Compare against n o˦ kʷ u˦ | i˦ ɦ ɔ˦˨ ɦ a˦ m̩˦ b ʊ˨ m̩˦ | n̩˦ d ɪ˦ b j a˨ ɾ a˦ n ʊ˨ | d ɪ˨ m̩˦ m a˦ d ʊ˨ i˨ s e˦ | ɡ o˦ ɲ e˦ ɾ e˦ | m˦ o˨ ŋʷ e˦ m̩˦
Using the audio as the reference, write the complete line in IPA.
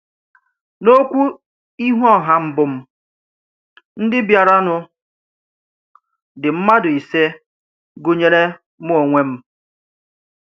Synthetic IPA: n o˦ kʷ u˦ | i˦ ɦ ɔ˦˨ ɦ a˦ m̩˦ b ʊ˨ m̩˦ | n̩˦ d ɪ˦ b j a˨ ɾ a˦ n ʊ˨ | d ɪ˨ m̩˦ m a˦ d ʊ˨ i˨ s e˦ | ɡ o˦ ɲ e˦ ɾ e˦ | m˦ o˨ ŋʷ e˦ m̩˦